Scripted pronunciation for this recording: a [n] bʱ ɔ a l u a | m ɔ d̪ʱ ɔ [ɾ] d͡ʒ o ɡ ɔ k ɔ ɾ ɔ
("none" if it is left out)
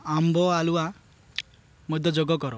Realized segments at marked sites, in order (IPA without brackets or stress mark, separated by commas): m, none